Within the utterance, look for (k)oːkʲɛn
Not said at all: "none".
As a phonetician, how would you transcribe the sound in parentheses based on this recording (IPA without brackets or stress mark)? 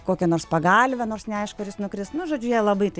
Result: k